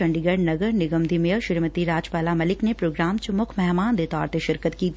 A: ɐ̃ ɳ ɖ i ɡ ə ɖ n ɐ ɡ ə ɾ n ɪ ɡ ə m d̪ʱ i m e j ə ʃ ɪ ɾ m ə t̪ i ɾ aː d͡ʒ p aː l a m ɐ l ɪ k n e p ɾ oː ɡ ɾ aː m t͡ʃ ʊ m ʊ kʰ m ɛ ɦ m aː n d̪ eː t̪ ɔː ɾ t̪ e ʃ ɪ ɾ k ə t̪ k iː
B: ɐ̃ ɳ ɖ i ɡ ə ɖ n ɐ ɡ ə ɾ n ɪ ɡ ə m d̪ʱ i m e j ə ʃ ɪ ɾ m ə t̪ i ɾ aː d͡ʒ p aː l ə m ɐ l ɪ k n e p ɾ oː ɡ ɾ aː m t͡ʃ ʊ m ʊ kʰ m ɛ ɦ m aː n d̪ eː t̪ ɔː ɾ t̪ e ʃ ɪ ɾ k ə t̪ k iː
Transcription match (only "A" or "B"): A